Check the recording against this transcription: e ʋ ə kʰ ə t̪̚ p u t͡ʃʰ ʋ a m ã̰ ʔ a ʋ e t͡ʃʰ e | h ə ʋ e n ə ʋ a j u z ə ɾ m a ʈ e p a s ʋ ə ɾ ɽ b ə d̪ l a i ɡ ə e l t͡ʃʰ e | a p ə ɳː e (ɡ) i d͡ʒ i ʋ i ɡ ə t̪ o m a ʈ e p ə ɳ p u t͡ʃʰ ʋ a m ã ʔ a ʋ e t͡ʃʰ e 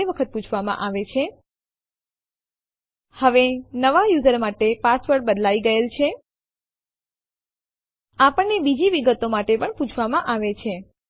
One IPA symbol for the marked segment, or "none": b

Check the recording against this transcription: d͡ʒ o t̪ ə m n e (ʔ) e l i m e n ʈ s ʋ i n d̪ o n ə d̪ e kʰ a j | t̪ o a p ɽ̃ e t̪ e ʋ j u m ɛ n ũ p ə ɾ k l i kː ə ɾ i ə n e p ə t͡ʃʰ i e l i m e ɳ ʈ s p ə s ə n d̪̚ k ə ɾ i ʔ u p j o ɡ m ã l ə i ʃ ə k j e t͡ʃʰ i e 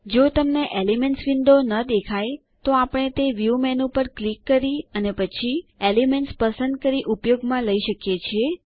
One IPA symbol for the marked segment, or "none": ʔ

